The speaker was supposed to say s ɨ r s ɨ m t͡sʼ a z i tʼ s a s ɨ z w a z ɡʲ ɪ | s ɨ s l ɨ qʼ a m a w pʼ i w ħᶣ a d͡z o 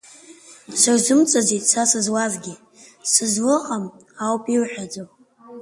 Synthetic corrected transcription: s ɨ r z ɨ m t͡sʼ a z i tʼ s a s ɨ z w a z ɡʲ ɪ | s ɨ z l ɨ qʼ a m a w pʼ i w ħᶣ a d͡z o